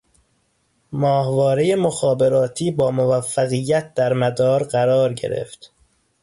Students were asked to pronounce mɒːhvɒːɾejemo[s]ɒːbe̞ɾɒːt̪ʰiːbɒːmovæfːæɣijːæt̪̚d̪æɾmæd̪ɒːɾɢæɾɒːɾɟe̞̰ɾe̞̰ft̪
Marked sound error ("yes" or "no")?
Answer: yes